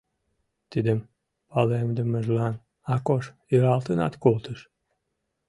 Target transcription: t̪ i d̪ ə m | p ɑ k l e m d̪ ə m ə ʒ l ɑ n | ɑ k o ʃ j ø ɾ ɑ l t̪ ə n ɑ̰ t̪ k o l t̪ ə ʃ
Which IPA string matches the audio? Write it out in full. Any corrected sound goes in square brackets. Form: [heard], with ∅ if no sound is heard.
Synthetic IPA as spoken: t̪ i d̪ ə m | p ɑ [∅] l e m d̪ ə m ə ʒ l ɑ n | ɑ k o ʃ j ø ɾ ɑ l t̪ ə n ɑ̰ t̪ k o l t̪ ə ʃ